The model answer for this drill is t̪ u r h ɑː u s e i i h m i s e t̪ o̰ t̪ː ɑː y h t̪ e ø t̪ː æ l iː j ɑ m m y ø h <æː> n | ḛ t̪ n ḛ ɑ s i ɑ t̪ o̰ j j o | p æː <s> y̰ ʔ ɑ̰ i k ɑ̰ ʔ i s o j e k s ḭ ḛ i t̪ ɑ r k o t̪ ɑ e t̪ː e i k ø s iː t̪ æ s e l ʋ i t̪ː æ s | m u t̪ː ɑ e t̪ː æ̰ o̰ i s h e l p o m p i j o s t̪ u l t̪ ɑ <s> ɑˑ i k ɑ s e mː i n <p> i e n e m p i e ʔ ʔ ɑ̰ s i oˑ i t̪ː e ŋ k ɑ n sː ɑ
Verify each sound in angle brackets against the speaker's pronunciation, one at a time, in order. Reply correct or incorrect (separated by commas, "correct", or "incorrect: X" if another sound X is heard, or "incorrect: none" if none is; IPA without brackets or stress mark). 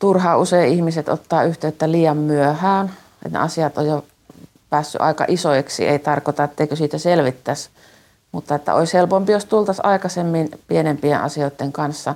correct, incorrect: sː, correct, correct